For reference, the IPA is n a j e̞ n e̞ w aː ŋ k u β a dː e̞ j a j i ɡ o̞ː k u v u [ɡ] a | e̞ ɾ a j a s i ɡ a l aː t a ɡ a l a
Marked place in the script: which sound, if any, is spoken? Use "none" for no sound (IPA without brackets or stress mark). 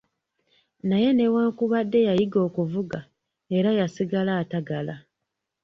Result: ɡ